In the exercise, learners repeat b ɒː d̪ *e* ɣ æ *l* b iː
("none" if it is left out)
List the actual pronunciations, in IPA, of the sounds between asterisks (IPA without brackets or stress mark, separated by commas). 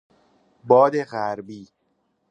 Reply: e, ɾ